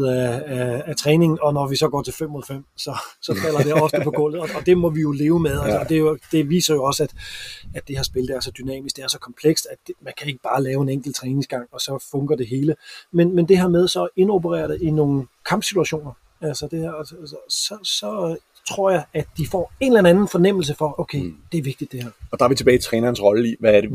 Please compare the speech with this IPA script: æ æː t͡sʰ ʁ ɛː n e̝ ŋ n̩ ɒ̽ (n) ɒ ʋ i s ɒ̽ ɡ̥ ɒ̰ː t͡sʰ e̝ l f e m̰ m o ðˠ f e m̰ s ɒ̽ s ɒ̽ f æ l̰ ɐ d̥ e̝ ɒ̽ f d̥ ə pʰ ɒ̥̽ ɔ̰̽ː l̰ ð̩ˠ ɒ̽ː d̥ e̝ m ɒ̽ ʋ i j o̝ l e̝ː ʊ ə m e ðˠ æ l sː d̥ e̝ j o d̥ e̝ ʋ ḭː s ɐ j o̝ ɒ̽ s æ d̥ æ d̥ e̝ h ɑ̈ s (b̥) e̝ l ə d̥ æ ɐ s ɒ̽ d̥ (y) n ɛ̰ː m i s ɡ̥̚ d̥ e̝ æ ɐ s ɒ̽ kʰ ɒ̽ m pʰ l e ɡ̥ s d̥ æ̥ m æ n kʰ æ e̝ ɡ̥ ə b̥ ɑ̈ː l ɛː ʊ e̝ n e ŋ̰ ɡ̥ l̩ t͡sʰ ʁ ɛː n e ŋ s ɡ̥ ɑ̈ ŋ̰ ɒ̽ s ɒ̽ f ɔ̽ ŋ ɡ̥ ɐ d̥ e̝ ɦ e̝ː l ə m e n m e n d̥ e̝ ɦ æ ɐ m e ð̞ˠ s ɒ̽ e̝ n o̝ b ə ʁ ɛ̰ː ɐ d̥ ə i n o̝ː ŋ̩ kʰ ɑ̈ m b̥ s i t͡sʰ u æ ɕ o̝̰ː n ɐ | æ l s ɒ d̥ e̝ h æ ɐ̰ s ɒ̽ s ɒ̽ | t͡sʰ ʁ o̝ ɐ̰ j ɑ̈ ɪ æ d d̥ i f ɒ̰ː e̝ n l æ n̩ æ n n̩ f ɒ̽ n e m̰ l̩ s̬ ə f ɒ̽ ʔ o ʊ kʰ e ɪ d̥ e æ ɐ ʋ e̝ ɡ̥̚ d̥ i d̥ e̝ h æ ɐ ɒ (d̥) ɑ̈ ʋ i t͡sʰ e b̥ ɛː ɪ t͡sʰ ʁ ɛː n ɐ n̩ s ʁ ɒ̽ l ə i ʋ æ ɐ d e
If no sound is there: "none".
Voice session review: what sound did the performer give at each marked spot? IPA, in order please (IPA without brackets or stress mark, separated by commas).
n, b̥, y, d̥